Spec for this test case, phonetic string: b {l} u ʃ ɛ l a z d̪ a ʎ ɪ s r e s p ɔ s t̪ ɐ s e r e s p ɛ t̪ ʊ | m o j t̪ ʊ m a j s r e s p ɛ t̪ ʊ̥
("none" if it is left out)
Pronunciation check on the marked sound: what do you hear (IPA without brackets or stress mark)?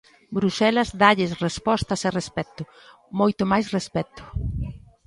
ɾ